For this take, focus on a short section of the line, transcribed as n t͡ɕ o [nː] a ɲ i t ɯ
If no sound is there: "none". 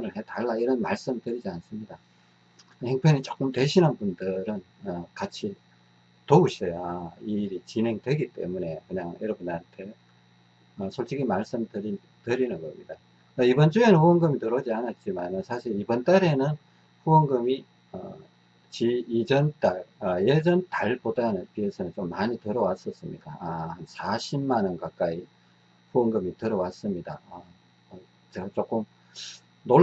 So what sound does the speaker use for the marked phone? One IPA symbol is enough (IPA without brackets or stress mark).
mː